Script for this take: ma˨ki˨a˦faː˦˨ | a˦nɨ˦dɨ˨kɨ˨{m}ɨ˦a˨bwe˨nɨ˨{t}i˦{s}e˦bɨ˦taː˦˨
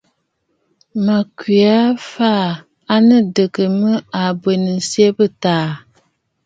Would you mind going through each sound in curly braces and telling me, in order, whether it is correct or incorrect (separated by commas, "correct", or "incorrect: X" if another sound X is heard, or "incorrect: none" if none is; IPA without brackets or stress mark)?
correct, incorrect: s, incorrect: none